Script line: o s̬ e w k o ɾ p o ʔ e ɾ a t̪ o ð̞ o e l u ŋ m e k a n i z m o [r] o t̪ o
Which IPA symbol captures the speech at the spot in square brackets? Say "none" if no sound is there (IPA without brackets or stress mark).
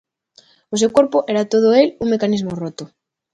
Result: r